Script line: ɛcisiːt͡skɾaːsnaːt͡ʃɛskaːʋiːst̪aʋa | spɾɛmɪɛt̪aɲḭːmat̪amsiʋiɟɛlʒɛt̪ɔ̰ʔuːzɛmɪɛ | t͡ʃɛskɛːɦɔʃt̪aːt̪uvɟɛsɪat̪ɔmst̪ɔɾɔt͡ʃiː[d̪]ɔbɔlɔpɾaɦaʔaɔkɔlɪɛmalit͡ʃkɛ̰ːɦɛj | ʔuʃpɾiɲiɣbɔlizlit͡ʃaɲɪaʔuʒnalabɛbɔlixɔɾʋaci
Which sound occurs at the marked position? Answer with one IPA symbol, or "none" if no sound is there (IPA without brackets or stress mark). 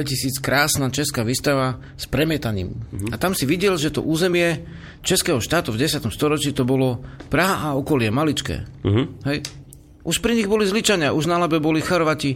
t̪